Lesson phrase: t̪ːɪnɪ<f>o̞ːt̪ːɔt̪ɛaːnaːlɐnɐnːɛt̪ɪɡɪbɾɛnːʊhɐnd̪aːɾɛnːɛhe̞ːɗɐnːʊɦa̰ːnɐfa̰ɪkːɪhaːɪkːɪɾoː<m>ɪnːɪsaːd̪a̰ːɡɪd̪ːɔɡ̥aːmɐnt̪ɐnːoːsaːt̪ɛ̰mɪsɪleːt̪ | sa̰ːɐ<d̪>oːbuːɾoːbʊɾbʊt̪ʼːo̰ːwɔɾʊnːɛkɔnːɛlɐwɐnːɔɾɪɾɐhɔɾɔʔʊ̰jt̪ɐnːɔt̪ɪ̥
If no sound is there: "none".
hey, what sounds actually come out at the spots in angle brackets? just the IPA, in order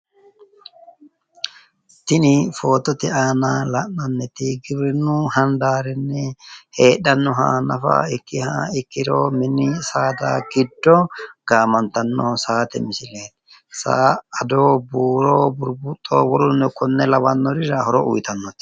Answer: f, m, d̪

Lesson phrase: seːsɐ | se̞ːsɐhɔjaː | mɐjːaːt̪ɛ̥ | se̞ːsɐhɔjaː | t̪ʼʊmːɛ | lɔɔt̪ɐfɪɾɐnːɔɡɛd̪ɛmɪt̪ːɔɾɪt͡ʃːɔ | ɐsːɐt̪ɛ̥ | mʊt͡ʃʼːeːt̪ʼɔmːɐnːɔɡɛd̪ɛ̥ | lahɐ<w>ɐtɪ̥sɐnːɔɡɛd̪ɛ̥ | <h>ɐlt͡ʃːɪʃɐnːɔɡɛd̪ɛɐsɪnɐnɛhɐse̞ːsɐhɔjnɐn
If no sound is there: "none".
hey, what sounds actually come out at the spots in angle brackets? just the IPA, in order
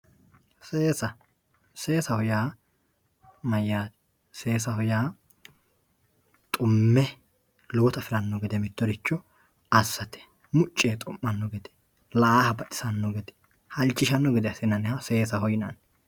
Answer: b, h

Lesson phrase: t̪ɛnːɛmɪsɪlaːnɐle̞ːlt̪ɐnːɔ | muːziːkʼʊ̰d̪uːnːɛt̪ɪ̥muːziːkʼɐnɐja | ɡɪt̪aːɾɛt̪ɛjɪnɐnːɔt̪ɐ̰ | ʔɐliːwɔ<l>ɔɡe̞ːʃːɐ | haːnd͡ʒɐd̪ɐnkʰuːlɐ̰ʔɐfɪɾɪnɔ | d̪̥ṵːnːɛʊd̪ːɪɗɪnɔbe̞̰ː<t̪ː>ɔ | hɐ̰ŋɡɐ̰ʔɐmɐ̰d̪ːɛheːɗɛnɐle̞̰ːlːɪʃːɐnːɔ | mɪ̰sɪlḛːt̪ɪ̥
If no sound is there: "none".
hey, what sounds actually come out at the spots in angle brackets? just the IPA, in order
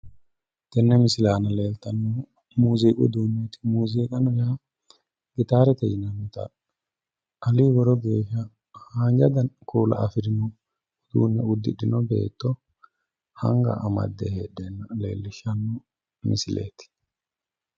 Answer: ɾ, t̪ː

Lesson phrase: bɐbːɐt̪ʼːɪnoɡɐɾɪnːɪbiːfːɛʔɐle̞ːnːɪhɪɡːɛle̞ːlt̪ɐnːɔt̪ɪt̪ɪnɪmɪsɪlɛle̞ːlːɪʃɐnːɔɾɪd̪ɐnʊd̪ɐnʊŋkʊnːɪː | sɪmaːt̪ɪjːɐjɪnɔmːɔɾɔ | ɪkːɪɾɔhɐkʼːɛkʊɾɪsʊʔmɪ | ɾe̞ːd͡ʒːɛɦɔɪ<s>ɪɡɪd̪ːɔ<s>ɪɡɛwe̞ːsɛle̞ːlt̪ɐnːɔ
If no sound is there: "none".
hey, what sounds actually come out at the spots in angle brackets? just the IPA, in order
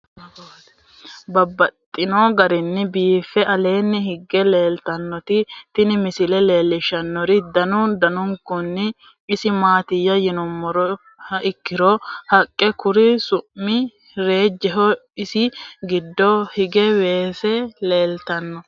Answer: s, h

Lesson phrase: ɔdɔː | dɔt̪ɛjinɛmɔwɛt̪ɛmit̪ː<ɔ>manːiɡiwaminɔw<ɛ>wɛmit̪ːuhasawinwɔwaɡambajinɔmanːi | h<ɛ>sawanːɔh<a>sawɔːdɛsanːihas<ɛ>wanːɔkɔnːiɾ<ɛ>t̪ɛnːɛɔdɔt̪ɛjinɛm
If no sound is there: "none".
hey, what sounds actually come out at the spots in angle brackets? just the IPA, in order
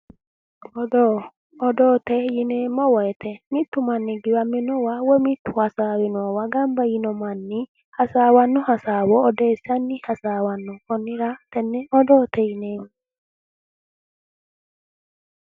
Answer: u, a, a, a, a, a

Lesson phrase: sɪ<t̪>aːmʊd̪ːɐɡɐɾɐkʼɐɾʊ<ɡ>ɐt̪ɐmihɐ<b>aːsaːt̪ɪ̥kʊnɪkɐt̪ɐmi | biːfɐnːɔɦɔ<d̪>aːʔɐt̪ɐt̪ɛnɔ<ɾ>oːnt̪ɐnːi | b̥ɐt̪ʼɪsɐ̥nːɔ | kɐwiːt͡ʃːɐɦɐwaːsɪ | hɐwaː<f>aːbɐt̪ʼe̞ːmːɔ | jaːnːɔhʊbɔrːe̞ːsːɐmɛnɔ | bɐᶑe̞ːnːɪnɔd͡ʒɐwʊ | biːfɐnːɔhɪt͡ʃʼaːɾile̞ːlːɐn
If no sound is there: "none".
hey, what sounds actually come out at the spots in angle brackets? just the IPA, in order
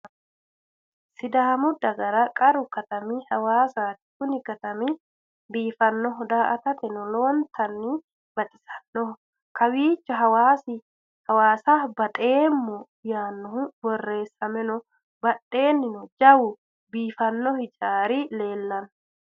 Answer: d̪, k, w, d̪, l, s

